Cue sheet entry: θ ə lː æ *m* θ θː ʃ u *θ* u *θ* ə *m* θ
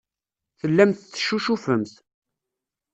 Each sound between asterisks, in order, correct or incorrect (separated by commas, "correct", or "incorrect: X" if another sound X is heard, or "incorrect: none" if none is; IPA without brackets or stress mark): correct, incorrect: ʃ, incorrect: f, correct